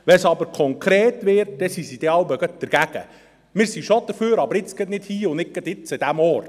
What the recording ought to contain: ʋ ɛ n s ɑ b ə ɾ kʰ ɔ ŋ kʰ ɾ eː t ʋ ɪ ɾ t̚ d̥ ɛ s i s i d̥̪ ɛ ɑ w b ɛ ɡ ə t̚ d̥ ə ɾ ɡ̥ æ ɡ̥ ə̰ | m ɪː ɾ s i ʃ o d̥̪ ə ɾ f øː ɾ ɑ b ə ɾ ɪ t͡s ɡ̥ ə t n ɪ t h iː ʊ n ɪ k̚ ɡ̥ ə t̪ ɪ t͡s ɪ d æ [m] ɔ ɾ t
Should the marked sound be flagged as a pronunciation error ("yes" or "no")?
no